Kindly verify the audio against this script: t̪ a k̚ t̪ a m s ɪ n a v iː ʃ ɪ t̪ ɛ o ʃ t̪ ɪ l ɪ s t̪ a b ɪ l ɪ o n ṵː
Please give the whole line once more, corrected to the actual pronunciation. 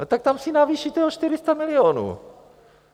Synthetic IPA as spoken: t̪ a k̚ t̪ a m s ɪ n a v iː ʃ i t̪ ɛ o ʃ t̪ ɪ ɾ ɪ s t̪ a m ɪ l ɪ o n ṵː